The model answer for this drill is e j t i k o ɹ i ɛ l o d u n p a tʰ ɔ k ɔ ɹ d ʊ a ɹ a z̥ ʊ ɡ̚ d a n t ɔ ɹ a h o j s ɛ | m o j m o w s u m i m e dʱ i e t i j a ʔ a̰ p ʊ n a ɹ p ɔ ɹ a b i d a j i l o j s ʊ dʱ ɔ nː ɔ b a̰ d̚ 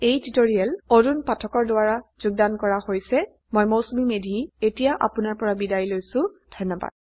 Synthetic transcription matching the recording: e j t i t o ɹ i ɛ l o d u n p a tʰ ɔ k ɔ ɹ d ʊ a ɹ a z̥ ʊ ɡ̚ d a n k ɔ ɹ a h o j s ɛ | m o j m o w s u m i m e dʱ i e t i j a ʔ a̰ p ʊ n a ɹ p ɔ ɹ a b i d a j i l o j s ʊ dʱ ɔ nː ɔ b a̰ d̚

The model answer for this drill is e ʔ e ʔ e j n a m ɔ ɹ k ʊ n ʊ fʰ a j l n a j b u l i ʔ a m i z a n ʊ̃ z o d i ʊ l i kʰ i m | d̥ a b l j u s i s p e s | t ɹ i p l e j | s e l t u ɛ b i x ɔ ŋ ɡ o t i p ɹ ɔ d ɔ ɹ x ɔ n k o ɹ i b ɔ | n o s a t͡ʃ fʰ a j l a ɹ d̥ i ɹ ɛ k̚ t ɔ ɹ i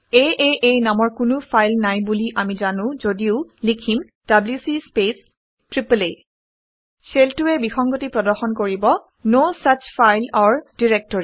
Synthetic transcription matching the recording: e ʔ e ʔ e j n a m ɔ ɹ k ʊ n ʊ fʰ a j l n a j b u l i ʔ a m i z a n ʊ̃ z o d i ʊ l i kʰ i m | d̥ a b l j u s i s p e s | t ɹ i p l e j | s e l t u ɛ b i x ɔ ŋ ɡ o t i p ɹ ɔ d ɔ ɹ x ɔ n k o ɹ i b ɔ | n o s a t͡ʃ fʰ a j l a ɹ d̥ i ɹ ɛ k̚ t ɔ ɹ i

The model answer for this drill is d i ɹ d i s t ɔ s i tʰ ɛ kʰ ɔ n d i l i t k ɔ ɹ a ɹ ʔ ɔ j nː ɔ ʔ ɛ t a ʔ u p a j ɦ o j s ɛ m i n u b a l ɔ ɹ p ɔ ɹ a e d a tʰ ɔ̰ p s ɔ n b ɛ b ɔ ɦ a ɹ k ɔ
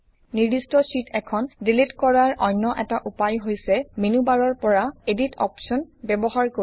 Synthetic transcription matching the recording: n i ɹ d i s t ɔ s i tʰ ɛ kʰ ɔ n d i l i t k ɔ ɹ a ɹ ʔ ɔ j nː ɔ ʔ ɛ t a ʔ u p a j ɦ o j s ɛ m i n u b a ɹ ɔ ɹ p ɔ ɹ a e d i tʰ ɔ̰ p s ɔ n b ɛ b ɔ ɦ a ɹ k o

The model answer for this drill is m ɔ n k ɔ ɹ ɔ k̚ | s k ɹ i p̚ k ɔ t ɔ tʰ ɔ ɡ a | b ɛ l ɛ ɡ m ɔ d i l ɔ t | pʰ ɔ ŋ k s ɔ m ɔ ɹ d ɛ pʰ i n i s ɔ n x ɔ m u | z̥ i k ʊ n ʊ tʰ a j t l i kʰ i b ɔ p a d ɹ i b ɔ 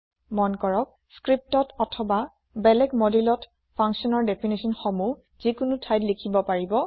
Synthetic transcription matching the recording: m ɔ n k ɔ ɹ ɔ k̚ | s k ɹ i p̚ t ɔ t ɔ tʰ ɔ b a | b ɛ l ɛ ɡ m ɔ d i l ɔ t | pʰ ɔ ŋ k s ɔ n ɔ ɹ d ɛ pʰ i n i s ɔ n x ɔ m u | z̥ i k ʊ n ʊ tʰ a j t l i kʰ i b ɔ p a ɹ i b ɔ

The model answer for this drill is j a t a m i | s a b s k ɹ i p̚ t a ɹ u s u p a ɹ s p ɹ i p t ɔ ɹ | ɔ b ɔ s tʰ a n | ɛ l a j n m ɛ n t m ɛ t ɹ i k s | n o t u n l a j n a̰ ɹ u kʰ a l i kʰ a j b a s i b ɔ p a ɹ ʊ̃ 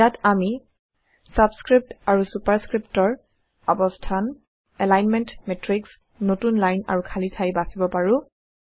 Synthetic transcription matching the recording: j a t a m i | s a b s k ɹ i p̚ t a ɹ u s u p a ɹ s k ɹ i p t ɔ ɹ | ɔ b ɔ s tʰ a n | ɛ l a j n m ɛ n t m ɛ t ɹ i k s | n o t u n l a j n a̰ ɹ u kʰ a l i tʰ a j b a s i b ɔ p a ɹ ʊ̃

